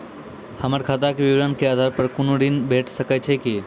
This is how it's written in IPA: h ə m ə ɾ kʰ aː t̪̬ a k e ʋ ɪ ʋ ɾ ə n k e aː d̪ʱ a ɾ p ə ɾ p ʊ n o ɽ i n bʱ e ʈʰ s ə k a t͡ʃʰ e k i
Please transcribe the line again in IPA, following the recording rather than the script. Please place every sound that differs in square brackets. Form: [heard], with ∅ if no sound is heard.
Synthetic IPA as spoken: h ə m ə ɾ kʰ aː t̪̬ a k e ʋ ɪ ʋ ɾ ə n k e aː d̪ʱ a ɾ p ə ɾ [k] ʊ n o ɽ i n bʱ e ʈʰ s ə k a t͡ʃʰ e k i